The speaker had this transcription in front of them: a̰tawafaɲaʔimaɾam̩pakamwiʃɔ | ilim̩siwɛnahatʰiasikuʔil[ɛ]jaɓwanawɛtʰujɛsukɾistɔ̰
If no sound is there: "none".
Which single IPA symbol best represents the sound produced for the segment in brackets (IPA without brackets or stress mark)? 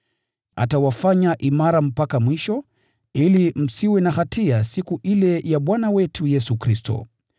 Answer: ɛ